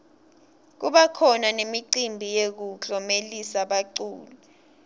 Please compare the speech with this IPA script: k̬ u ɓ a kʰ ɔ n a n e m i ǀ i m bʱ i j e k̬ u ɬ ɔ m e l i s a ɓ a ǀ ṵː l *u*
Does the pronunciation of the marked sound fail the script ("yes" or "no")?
no